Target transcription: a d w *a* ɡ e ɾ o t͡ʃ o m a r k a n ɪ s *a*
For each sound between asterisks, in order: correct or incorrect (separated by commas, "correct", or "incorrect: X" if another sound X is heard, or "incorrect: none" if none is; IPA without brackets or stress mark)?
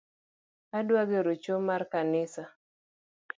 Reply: correct, correct